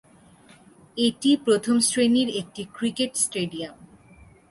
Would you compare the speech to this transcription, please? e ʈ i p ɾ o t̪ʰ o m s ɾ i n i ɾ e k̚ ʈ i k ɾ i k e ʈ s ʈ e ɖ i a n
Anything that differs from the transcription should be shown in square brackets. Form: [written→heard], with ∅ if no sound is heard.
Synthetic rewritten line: e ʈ i p ɾ o t̪ʰ o m s ɾ [i→e] n i ɾ e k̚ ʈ i k ɾ i k e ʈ s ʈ e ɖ i a [n→m]

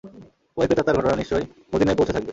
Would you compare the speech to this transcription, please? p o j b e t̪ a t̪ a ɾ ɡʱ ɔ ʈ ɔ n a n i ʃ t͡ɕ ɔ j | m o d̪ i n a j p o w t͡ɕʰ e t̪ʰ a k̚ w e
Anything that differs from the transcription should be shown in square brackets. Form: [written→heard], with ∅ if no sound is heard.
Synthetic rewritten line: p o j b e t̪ a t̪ a ɾ ɡʱ ɔ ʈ [ɔ→o] n a n i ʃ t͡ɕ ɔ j | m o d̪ i n a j p o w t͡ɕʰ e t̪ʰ a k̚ [w→b] e

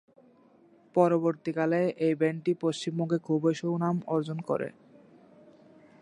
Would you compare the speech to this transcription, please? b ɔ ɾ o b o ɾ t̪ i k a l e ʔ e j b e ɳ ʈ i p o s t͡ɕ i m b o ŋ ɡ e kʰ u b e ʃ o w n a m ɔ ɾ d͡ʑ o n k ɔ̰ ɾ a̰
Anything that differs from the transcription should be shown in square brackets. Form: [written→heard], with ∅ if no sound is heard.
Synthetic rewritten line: [b→p] ɔ ɾ o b o ɾ t̪ i k a l e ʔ e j b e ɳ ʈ i p o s t͡ɕ i m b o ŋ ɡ e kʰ u b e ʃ o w n a m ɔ ɾ d͡ʑ o n k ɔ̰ ɾ [a̰→ḛ]

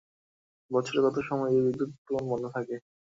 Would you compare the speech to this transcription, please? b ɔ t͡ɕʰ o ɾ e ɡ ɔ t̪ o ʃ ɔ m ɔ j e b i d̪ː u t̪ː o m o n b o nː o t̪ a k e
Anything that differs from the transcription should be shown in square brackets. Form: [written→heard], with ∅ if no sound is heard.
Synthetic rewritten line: b ɔ t͡ɕʰ o ɾ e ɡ ɔ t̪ o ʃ ɔ m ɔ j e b i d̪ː u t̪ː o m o n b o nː o [t̪→t̪ʰ] a k e

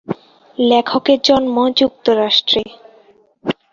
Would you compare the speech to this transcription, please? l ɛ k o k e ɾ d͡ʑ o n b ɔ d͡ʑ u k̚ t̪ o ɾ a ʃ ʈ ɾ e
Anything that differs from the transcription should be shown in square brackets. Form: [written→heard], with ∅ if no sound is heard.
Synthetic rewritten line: l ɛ [k→kʰ] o k e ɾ d͡ʑ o n [b→m] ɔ d͡ʑ u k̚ t̪ o ɾ a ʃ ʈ ɾ e

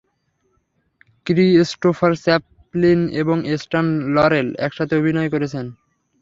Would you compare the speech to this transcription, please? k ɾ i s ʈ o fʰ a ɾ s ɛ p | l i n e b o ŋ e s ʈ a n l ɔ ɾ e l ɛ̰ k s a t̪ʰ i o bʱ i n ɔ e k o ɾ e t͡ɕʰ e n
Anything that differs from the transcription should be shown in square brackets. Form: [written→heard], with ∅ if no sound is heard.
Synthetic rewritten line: k ɾ i s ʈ o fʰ a ɾ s ɛ p | l i n e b o ŋ e s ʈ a n l ɔ ɾ e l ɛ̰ k [s→ʃ] a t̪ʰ [i→e] o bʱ i n ɔ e k o ɾ e t͡ɕʰ e n

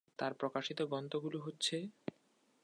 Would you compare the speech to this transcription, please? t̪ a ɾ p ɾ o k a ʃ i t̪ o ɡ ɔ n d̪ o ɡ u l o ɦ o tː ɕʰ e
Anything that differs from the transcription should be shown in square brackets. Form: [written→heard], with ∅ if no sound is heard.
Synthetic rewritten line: t̪ a ɾ p ɾ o k a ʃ i t̪ o ɡ ɔ n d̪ o ɡ u l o ɦ o tː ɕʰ e

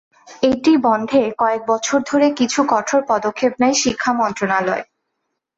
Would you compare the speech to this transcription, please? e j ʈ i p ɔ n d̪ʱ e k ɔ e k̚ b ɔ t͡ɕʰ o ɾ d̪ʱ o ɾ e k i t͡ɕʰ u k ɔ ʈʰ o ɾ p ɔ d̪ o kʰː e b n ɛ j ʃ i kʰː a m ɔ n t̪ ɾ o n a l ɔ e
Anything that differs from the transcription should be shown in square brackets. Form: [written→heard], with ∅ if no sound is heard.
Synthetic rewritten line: e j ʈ i [p→b] ɔ n d̪ʱ e k ɔ e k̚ b ɔ t͡ɕʰ o ɾ d̪ʱ o ɾ e k i t͡ɕʰ u k ɔ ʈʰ o ɾ p ɔ d̪ o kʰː e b n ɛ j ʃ i kʰː a m ɔ n t̪ ɾ o n a l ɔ e

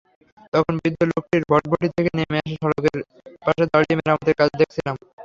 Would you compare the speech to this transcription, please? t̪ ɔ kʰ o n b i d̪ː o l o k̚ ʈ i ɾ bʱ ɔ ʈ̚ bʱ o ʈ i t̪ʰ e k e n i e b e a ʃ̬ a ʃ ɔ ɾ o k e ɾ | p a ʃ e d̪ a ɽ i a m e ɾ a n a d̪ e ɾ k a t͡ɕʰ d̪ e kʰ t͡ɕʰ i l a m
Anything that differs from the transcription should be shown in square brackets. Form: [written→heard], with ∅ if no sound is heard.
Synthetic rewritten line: t̪ ɔ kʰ o n b i d̪ː o l o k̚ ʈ i ɾ bʱ ɔ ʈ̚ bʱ o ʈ i t̪ʰ e k e n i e [b→m] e a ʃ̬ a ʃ ɔ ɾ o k e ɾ | p a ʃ e d̪ a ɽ i [a→e] m e ɾ a [n→m] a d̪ e ɾ k a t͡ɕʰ d̪ e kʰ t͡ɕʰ i l a m

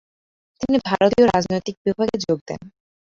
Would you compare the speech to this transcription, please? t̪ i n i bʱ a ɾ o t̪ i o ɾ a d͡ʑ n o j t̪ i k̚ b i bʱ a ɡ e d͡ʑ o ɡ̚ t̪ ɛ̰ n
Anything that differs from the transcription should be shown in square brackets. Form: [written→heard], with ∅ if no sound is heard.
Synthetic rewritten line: t̪ i n i bʱ a ɾ o t̪ i o ɾ a d͡ʑ n o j t̪ i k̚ b i bʱ a ɡ e d͡ʑ o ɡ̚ [t̪→d̪] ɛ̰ n

